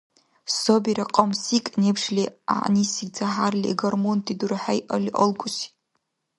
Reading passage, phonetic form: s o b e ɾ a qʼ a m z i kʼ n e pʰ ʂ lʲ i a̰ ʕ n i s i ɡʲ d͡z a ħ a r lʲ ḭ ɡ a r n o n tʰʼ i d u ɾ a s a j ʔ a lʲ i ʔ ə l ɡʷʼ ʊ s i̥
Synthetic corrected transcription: s o b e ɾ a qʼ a m s i kʼ n e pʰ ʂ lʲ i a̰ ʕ n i s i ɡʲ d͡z a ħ a r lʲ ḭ ɡ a r m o n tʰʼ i d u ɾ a ħ a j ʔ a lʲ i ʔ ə l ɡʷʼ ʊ s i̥